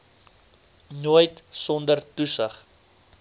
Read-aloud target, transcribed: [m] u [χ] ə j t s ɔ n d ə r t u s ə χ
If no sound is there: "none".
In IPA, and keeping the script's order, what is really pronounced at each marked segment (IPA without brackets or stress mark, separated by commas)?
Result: n, none